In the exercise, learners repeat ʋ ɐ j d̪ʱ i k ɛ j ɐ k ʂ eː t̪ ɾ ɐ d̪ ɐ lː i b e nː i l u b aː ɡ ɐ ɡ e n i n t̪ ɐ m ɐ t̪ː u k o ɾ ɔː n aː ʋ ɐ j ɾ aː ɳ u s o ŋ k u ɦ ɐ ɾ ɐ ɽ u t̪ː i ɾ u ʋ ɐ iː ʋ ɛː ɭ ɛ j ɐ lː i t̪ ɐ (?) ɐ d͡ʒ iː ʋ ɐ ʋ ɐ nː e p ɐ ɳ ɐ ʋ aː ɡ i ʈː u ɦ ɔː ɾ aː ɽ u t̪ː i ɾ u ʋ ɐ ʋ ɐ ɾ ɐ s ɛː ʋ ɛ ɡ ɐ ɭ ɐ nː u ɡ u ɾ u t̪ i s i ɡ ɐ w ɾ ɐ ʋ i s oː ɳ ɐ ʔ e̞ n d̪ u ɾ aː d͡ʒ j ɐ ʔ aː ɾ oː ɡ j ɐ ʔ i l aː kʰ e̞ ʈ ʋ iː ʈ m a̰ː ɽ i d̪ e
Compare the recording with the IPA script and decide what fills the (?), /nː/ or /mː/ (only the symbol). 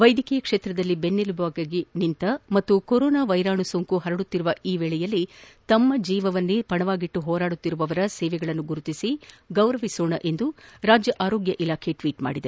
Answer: mː